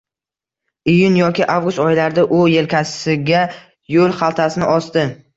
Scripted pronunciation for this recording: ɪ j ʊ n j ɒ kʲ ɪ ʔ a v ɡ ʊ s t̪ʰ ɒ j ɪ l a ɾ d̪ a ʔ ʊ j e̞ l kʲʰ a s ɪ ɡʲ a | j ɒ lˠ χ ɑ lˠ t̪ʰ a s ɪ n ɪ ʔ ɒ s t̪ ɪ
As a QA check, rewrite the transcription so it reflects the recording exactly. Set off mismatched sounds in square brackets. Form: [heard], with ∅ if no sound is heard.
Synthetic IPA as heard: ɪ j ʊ n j ɒ kʲ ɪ ʔ a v ɡ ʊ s [t̪] ɒ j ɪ l a ɾ d̪ a ʔ ʊ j e̞ l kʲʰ a s ɪ ɡʲ a | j [o] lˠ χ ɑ lˠ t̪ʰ a s ɪ n ɪ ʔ ɒ s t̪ ɪ